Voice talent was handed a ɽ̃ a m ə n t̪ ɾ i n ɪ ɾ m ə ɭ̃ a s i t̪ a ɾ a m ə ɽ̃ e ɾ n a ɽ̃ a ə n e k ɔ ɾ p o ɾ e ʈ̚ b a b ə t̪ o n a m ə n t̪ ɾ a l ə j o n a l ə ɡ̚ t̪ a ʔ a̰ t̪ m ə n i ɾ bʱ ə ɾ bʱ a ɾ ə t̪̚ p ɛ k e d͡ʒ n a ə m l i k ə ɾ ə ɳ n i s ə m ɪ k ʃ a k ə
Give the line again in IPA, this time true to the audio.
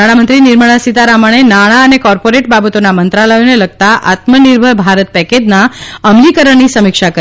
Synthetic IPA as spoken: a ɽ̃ a m ə n t̪ ɾ i n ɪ ɾ m ə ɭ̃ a s i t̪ a ɾ a m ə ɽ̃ e n a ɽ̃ a ə n e k ɔ ɾ p o ɾ e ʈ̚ b a b ə t̪ o n a m ə n t̪ ɾ a l ə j o n e l ə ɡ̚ t̪ a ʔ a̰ t̪ m ə n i ɾ bʱ ə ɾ bʱ a ɾ ə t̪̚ p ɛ k e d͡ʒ n a ə m l i k ə ɾ ə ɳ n i s ə m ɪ k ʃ a k ə